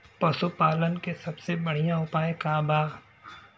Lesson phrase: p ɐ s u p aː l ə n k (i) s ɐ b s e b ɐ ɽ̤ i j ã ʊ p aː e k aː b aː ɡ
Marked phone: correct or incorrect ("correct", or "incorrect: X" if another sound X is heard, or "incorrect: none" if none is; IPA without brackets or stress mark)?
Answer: incorrect: e